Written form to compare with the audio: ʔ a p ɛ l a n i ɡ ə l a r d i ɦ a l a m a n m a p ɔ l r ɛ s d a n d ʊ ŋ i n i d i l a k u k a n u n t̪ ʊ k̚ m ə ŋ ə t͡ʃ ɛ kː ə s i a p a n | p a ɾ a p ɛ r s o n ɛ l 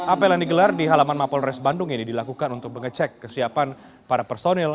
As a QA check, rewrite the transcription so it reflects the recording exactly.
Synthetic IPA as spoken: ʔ a p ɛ l a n i ɡ ə l a r d i ɦ a l a m a n m a p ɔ l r ɛ s b a n d ʊ ŋ i n i d i l a k u k a n u n t̪ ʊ k̚ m ə ŋ ə t͡ʃ ɛ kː ə s i a p a n | p a ɾ a p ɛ r s o n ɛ l